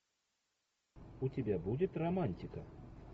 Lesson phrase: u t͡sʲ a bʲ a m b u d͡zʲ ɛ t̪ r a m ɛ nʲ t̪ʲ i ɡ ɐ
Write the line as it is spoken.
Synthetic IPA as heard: u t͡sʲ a bʲ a b u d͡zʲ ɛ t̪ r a m a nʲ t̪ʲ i k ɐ